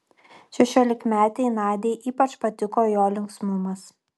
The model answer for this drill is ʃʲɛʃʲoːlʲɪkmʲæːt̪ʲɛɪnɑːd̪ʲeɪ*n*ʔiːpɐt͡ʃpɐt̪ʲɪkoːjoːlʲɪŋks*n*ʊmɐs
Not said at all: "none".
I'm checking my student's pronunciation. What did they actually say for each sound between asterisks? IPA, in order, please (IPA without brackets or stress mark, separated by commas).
none, m